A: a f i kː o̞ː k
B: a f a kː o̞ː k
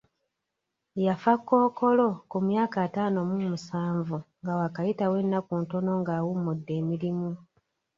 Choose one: B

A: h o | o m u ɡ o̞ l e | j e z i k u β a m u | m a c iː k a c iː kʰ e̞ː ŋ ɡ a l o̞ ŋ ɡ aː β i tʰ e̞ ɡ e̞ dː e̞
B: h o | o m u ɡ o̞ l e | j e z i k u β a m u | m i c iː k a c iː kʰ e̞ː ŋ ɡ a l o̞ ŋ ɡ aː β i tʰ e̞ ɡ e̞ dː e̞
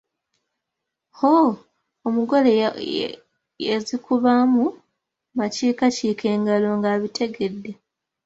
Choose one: A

